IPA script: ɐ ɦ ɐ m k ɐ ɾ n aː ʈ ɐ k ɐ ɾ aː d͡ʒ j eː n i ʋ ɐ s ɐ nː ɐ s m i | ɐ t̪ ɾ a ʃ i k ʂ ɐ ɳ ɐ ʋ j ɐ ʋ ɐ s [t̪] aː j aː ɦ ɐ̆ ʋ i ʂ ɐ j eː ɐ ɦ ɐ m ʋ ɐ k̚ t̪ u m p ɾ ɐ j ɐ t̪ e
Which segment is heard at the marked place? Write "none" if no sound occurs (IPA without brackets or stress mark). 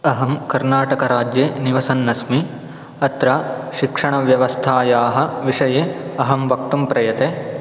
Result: t̪ʰ